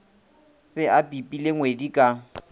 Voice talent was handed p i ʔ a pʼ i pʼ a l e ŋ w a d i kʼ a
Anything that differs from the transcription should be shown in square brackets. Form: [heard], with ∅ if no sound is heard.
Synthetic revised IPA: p [ɛ] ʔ a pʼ i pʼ [i] l e ŋ w [e] d i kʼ a